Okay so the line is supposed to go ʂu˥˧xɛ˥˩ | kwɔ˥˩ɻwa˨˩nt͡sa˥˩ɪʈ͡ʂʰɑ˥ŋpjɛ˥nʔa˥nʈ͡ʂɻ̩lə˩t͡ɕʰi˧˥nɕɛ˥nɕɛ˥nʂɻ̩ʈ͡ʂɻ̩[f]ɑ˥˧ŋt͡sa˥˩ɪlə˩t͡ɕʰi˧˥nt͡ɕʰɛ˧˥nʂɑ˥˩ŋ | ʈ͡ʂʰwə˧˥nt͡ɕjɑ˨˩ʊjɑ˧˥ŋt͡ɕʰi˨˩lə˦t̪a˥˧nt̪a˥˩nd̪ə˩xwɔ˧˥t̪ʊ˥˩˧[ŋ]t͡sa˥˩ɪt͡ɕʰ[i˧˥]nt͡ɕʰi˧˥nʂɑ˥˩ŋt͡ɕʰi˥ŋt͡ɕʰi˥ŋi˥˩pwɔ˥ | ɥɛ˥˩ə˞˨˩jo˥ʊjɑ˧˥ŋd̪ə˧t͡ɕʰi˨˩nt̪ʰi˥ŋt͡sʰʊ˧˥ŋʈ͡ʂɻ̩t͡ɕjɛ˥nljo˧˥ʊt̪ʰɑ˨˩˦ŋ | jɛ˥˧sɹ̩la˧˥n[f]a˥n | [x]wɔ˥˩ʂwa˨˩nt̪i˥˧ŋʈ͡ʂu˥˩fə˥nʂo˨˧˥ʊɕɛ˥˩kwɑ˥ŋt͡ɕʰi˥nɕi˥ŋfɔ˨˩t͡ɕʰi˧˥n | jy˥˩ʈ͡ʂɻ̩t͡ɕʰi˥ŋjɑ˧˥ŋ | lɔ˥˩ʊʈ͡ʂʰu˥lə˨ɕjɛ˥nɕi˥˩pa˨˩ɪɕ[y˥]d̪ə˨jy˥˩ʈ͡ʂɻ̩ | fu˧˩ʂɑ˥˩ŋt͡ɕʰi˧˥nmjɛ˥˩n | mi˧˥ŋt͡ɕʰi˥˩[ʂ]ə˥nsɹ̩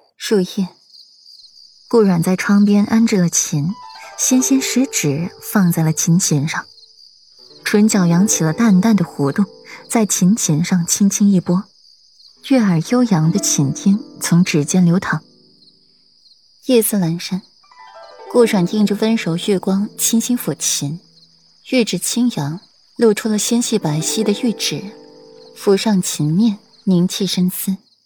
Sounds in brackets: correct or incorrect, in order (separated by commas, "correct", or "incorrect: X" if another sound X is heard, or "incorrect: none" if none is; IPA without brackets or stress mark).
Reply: correct, correct, correct, incorrect: ʂ, incorrect: k, incorrect: i˥, correct